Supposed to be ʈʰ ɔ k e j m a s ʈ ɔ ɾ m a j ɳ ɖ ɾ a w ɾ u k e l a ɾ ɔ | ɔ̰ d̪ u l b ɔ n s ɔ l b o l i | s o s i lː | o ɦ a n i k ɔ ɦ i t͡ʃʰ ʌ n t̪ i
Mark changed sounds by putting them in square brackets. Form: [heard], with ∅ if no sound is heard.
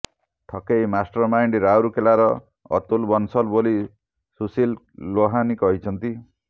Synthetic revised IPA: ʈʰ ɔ k e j m a s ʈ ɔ ɾ m a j ɳ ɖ ɾ a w ɾ u k e l a ɾ ɔ | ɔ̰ [t̪] u l b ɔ n s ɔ l b o l i | s [u] s i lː | o ɦ a n i k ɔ ɦ i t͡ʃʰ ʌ n t̪ i